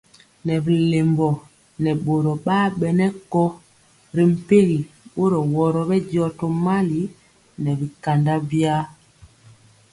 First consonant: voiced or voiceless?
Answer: voiced